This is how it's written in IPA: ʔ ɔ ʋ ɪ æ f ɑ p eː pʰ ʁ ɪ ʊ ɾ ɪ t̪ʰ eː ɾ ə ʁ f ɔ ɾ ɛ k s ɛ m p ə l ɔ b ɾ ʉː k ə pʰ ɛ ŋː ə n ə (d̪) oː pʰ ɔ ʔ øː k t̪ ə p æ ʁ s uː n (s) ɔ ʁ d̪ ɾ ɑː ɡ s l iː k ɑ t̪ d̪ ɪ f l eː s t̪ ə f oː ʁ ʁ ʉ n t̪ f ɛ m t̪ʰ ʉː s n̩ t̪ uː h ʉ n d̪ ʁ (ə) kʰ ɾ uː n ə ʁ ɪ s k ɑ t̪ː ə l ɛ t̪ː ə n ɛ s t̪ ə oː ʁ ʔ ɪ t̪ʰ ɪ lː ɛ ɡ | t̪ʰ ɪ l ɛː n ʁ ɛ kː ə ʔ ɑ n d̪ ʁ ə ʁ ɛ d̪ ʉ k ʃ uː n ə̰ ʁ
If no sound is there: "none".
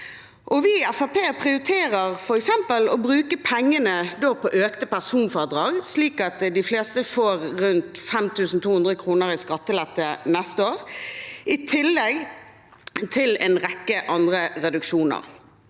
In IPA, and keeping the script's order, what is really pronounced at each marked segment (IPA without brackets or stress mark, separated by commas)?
d̪, f, ə